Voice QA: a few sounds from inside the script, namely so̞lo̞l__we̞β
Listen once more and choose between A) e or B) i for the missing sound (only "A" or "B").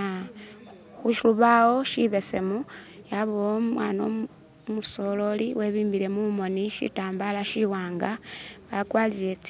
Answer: B